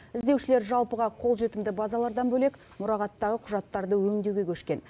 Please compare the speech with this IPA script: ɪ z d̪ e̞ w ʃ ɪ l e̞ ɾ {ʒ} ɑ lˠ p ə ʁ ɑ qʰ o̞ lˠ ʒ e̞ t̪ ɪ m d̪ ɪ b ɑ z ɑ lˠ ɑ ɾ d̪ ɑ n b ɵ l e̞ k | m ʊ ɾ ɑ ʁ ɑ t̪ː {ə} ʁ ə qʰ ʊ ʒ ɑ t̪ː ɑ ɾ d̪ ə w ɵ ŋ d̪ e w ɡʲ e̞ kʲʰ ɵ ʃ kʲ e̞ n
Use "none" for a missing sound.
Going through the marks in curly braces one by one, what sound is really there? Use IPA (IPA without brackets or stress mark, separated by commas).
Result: ʒ, ɑ